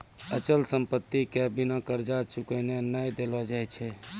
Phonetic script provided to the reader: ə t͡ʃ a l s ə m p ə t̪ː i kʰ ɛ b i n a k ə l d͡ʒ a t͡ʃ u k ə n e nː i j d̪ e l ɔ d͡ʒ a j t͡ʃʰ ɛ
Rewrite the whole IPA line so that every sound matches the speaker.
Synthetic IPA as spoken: ə t͡ʃ ə l s ə m p ə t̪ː i k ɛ b i n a k ə ɾ d͡ʒ a t͡ʃ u k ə n e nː a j d̪ e l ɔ d͡ʒ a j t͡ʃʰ ɛ

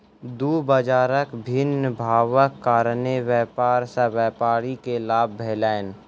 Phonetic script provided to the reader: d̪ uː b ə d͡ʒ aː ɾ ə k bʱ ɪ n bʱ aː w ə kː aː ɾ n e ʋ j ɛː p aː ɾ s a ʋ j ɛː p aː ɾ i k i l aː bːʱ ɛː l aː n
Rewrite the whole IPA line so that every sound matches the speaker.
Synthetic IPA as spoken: d̪ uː b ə d͡ʒ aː ɾ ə k bʱ ɪ n bʱ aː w ə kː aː ɾ n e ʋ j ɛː p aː ɾ s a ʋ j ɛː p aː ɾ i k e l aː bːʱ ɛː l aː n

